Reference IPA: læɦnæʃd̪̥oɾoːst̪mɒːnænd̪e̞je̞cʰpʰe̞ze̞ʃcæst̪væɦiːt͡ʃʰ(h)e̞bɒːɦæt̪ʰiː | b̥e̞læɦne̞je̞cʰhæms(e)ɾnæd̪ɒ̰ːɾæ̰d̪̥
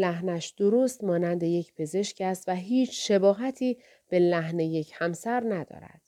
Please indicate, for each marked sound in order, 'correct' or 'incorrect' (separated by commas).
incorrect, incorrect